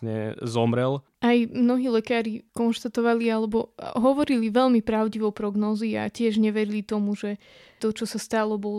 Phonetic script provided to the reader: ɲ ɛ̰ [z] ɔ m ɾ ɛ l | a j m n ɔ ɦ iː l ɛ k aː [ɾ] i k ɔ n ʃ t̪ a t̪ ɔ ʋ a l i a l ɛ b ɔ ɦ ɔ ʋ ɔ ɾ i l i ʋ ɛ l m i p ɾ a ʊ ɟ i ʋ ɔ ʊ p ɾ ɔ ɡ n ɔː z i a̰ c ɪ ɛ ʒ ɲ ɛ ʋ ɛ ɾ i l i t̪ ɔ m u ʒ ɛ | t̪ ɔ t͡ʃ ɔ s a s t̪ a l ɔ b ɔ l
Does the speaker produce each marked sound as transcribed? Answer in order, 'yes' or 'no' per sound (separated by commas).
yes, yes